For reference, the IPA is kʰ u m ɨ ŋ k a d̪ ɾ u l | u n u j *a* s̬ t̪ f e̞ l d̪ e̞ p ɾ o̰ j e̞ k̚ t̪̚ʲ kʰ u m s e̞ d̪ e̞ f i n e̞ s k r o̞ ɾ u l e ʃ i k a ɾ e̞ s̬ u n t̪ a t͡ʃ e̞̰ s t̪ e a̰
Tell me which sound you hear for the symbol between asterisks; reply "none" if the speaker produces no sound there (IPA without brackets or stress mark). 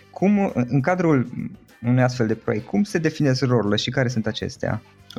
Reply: a